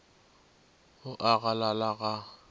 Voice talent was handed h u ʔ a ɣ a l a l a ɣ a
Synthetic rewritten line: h ʊ ʔ a ɣ a l a l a ɣ a